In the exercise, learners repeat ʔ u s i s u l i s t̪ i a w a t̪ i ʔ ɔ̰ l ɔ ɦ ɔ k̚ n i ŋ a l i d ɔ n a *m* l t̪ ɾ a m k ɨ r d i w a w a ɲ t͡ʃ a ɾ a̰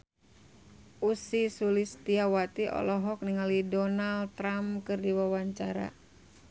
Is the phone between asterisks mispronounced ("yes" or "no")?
yes